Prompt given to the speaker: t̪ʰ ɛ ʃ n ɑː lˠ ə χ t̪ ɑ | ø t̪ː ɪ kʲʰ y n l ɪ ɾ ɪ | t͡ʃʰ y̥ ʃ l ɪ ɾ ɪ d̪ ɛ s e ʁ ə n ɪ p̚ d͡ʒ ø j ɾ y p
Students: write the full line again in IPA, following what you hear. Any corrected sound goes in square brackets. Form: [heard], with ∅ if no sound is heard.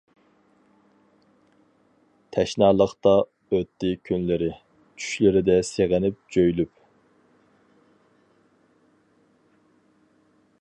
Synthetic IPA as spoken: t̪ʰ ɛ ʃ n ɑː lˠ ə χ t̪ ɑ | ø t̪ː ɪ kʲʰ y n l ɪ ɾ ɪ | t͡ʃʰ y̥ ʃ l ɪ ɾ ɪ d̪ ɛ s e ʁ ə n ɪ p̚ d͡ʒ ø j [l] y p